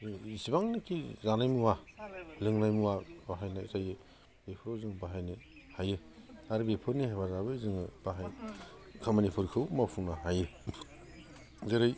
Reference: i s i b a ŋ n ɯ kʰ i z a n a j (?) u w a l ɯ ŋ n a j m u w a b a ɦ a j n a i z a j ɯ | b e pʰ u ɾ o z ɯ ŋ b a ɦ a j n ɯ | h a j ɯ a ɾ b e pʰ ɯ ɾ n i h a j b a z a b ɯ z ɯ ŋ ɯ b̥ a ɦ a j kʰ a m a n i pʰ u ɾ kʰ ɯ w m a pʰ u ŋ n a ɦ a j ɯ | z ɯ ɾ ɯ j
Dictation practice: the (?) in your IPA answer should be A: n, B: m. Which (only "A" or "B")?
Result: B